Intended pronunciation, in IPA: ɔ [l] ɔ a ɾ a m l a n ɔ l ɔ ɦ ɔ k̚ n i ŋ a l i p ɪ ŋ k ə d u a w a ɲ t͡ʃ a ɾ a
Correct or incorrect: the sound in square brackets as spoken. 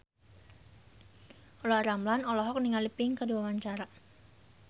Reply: correct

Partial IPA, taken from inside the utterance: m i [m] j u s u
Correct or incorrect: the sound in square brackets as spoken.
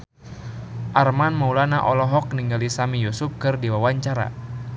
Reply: incorrect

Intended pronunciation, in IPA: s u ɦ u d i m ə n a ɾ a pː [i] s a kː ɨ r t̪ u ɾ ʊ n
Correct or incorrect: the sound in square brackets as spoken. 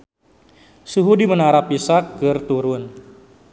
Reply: correct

